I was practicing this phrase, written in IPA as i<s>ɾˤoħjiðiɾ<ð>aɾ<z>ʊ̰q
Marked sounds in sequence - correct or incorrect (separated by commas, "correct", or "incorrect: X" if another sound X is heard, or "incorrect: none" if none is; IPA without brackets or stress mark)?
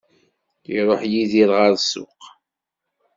incorrect: none, incorrect: ʁ, incorrect: s